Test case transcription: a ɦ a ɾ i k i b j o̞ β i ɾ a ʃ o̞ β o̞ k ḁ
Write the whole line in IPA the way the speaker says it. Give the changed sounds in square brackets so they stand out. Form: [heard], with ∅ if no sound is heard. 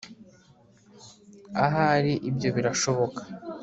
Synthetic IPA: a ɦ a ɾ i [ʔ] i b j o̞ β i ɾ a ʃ o̞ β o̞ k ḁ